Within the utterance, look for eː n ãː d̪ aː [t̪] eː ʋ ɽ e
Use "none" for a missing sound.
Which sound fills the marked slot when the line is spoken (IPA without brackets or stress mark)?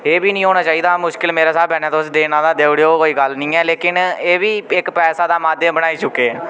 d̪